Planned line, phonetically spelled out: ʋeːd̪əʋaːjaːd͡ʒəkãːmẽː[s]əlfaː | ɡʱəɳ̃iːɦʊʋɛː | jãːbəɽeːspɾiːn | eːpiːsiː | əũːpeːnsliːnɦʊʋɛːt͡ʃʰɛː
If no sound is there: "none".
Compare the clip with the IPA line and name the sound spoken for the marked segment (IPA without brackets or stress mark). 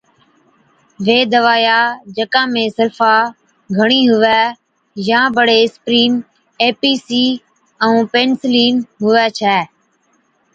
s